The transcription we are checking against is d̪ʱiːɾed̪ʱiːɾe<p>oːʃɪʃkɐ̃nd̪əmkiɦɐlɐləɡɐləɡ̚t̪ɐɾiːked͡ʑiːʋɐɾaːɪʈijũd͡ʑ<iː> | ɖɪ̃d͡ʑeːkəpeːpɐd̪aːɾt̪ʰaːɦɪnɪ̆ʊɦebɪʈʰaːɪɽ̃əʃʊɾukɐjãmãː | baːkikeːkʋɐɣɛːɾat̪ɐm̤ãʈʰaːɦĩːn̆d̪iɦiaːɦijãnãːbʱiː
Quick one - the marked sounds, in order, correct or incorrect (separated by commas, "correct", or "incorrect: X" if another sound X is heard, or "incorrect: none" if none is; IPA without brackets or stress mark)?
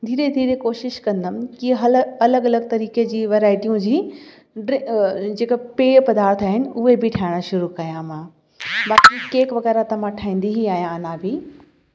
incorrect: k, correct